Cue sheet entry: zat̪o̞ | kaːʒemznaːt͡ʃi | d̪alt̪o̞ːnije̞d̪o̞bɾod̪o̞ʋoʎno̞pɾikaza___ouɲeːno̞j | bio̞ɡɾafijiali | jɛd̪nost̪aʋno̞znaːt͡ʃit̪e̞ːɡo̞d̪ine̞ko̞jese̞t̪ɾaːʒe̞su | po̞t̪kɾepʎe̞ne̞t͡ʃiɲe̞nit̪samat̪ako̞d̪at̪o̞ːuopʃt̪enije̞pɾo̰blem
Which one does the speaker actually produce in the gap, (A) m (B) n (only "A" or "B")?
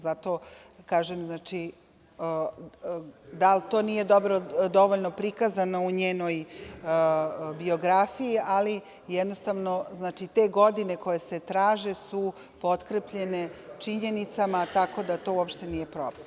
B